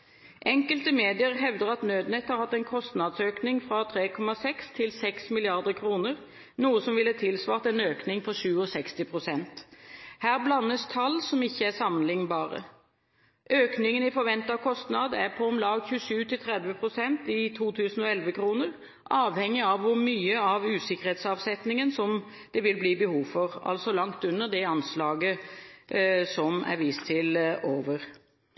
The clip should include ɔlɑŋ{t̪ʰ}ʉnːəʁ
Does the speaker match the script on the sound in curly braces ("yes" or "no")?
no